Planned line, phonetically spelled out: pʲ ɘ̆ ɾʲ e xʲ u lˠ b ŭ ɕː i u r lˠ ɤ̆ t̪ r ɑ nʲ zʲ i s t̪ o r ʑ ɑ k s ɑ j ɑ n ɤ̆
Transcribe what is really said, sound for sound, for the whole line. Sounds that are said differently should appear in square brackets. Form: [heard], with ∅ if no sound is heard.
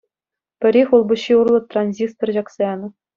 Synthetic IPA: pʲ ɘ̆ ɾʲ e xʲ u lˠ b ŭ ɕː i u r lˠ ɤ̆ t̪ r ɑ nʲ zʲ i s t̪ o r ʑ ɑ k s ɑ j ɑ n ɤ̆